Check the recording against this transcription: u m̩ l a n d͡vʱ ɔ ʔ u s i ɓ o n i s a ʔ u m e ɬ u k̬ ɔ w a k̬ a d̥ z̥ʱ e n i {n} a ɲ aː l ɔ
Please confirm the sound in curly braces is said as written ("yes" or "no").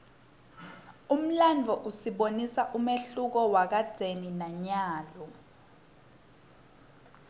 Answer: yes